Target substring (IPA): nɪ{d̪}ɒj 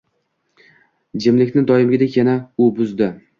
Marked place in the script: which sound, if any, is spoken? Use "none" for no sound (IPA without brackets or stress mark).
d̪